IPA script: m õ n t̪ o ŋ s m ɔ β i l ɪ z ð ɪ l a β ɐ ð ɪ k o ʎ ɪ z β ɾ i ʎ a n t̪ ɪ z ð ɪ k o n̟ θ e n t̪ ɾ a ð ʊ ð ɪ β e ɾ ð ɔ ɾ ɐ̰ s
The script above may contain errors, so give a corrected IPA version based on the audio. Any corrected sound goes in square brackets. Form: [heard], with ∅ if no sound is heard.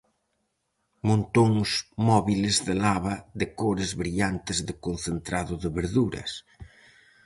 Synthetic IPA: m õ n t̪ o ŋ s m ɔ β i l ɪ z ð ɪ l a β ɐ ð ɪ k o [ɾ] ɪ z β ɾ i ʎ a n t̪ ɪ z ð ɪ k o n̟ θ e n t̪ ɾ a ð ʊ ð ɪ β e ɾ ð [u] ɾ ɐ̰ s